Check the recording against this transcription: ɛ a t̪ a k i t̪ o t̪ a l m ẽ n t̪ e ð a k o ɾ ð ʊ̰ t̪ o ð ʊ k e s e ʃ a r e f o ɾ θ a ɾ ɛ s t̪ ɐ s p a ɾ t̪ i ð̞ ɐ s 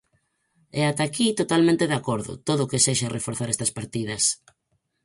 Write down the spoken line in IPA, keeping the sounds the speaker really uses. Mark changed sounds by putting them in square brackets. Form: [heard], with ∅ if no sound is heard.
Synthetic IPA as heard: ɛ a t̪ a k i t̪ o t̪ a l m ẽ n t̪ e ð a k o ɾ ð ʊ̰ t̪ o ð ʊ k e s e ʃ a r e f o ɾ θ a ɾ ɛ s t̪ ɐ s p a ɾ t̪ i ð̞ ɐ s